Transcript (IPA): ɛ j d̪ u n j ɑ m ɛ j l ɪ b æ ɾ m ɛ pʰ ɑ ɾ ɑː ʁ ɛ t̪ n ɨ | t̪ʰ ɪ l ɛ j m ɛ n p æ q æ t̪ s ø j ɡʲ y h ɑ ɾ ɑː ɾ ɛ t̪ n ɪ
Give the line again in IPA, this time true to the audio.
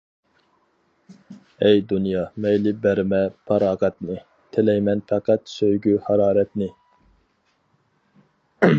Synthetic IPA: ɛ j d̪ u n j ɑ m ɛ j l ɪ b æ ɾ m ɛ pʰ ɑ ɾ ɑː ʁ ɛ t̪ n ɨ | t̪ʰ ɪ l ɛ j m ɛ n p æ q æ t̪ s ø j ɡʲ y h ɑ ɾ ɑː ɾ ɛ t̪ n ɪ